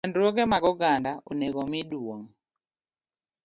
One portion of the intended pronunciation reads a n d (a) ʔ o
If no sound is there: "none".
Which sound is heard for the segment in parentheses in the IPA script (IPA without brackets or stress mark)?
a